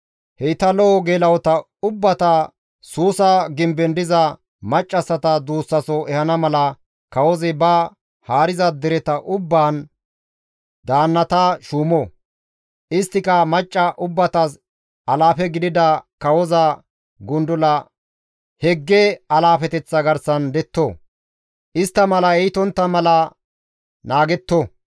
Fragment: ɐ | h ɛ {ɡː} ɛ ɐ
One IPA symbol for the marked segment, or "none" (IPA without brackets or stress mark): ɡː